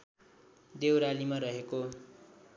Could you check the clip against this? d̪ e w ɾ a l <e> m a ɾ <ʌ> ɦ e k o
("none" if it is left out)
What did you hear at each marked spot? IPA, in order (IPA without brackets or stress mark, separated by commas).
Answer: i, ʌ